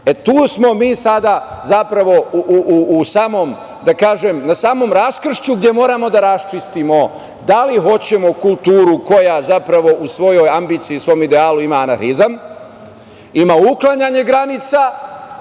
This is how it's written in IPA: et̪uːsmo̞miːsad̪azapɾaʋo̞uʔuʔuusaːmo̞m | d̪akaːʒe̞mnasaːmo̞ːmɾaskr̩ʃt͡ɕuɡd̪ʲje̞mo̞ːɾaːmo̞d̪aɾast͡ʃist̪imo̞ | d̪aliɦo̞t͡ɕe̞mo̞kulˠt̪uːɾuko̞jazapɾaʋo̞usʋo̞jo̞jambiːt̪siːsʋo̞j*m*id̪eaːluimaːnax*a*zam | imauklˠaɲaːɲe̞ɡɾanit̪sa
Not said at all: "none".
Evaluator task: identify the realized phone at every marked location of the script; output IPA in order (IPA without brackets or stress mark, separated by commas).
m, i